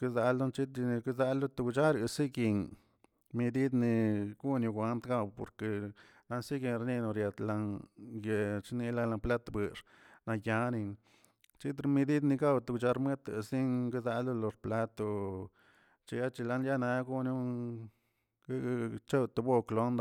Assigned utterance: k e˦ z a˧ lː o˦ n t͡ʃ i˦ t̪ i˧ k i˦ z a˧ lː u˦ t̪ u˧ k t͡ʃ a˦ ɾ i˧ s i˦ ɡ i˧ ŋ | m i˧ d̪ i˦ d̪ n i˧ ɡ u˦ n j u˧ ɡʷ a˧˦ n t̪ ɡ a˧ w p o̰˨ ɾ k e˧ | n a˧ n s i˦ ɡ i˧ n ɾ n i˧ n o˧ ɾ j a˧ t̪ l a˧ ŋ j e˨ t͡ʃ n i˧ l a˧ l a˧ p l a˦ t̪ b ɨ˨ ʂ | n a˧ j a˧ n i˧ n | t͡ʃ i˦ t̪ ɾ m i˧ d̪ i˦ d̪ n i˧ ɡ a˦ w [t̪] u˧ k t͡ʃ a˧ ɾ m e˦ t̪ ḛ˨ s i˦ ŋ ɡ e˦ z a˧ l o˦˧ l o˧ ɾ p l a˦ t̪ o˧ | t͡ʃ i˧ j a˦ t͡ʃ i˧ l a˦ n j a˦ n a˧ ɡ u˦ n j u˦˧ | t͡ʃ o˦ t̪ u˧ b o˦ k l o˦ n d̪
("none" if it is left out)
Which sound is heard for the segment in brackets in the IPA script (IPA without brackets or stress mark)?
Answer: t̪